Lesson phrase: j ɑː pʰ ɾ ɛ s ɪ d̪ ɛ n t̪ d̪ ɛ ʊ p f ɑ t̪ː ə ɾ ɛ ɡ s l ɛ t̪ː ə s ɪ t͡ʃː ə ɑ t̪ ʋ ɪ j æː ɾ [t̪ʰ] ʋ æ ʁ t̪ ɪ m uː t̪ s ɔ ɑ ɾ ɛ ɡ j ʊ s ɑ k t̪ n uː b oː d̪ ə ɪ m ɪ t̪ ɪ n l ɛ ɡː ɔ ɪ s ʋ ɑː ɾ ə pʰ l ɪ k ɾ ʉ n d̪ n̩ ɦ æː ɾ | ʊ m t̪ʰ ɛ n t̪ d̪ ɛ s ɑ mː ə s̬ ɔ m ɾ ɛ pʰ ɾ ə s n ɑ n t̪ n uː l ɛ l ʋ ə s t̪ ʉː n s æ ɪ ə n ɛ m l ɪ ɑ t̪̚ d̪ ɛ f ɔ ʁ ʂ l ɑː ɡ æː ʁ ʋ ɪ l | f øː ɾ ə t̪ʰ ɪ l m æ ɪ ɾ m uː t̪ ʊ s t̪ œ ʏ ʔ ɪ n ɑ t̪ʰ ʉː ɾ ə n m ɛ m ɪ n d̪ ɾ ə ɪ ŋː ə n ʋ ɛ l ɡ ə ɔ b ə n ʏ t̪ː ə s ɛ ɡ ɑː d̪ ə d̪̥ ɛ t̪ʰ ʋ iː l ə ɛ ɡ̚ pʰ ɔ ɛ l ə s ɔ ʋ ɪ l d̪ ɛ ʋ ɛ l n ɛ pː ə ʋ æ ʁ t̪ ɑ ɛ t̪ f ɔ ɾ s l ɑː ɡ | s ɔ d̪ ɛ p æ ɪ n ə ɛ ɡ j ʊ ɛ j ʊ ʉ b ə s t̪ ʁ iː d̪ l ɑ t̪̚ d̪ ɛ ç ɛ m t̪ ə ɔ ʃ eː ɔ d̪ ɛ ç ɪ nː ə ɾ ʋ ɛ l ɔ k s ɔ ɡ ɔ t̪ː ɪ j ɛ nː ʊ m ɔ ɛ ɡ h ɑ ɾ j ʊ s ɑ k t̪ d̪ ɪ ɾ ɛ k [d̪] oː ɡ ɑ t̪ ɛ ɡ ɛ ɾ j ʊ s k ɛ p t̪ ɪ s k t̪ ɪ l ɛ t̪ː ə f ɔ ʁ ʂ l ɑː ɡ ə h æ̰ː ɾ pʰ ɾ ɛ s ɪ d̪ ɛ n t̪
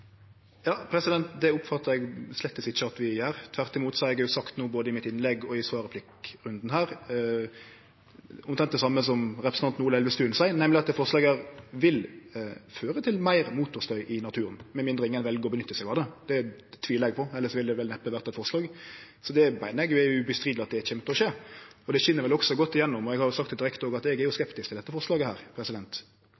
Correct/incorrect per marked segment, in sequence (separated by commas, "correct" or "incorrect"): correct, incorrect